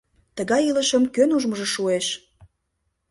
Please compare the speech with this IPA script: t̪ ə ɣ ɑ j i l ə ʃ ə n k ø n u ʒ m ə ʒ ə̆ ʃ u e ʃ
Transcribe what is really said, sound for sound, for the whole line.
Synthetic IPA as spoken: t̪ ə ɣ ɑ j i l ə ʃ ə m k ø n u ʒ m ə ʒ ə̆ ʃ u e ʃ